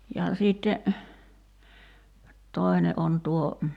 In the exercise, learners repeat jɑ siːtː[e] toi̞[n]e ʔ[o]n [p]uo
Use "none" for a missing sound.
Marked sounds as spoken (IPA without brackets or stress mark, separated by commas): e, n, o, t